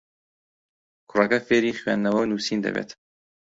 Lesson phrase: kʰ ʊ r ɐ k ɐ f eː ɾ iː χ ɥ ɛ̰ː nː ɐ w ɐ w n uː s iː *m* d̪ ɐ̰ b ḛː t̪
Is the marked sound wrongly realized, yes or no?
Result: yes